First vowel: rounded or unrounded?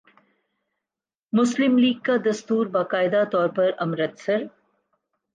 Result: rounded